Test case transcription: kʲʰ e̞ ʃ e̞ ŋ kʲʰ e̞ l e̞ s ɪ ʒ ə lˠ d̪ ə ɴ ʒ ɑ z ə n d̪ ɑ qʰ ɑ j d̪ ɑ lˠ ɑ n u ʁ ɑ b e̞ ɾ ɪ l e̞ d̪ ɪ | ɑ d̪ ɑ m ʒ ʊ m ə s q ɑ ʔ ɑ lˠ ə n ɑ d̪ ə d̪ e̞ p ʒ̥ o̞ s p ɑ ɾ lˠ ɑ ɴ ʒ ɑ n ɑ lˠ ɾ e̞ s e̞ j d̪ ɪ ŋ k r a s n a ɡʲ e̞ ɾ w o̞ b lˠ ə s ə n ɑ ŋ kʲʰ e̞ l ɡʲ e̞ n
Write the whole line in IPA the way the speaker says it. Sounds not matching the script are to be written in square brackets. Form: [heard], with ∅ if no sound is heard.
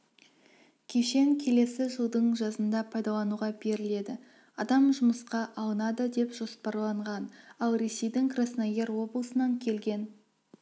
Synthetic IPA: kʲʰ e̞ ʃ e̞ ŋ kʲʰ e̞ l e̞ s ɪ ʒ ə lˠ d̪ ə ɴ ʒ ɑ z ə n d̪ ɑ [pʰ] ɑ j d̪ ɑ lˠ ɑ n u ʁ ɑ b e̞ ɾ ɪ l e̞ d̪ ɪ | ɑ d̪ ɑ m ʒ ʊ m ə s q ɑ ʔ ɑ lˠ ə n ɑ d̪ ə d̪ e̞ p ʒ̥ o̞ s p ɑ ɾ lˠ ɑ ɴ [ʁ] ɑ n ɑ lˠ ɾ e̞ s e̞ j d̪ ɪ ŋ k r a s n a ɡʲ e̞ ɾ w o̞ b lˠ ə s ə n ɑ ŋ kʲʰ e̞ l ɡʲ e̞ n

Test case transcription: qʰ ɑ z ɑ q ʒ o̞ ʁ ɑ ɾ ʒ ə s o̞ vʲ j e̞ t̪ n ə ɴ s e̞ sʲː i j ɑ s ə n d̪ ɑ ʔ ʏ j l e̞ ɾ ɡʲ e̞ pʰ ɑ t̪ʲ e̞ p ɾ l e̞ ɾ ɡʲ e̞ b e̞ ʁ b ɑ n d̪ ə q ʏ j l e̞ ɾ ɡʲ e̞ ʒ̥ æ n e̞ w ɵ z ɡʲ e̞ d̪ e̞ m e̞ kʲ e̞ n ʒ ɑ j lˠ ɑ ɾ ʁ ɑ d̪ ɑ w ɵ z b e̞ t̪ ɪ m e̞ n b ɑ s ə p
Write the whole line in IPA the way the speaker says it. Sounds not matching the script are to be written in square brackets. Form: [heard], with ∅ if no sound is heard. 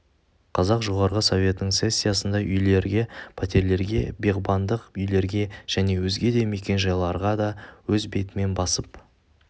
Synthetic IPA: qʰ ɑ z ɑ q ʒ o̞ ʁ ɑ ɾ [ʁ] ə s o̞ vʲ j e̞ t̪ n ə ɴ s e̞ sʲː i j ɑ s ə n d̪ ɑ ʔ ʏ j l e̞ ɾ ɡʲ e̞ pʰ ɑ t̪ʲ e̞ [∅] ɾ l e̞ ɾ ɡʲ e̞ b e̞ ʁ b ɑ n d̪ ə q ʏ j l e̞ ɾ ɡʲ e̞ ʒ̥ æ n e̞ w ɵ z ɡʲ e̞ d̪ e̞ m e̞ kʲ e̞ n ʒ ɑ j lˠ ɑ ɾ ʁ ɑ d̪ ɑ w ɵ z b e̞ t̪ ɪ m e̞ n b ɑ s ə p

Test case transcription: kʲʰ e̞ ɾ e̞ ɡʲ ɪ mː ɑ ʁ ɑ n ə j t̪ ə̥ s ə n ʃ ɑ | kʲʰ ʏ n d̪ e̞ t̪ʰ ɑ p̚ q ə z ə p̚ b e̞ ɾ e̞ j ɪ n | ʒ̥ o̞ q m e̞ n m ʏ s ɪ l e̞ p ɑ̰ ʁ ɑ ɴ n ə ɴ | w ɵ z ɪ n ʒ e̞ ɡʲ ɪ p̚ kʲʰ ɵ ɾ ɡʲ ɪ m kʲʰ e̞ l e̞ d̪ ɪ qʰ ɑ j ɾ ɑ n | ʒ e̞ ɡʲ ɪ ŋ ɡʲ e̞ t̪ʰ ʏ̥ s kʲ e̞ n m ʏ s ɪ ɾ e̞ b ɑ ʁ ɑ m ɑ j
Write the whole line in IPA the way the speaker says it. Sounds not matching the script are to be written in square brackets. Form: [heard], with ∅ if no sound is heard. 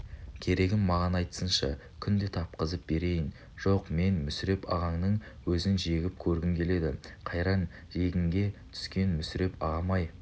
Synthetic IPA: kʲʰ e̞ ɾ e̞ ɡʲ ɪ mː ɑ ʁ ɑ n [ɑ] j t̪ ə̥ s ə n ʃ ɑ | kʲʰ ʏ n d̪ e̞ t̪ʰ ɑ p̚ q ə z ə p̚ b e̞ ɾ e̞ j ɪ n | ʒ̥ o̞ q m e̞ n m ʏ s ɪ [ɾ] e̞ p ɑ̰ ʁ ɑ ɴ n ə ɴ | w ɵ z ɪ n ʒ e̞ ɡʲ ɪ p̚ kʲʰ ɵ ɾ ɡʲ ɪ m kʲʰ e̞ l e̞ d̪ ɪ qʰ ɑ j ɾ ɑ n | ʒ e̞ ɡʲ ɪ ŋ ɡʲ e̞ t̪ʰ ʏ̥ s kʲ e̞ n m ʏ s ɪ ɾ e̞ [p] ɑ ʁ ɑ m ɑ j

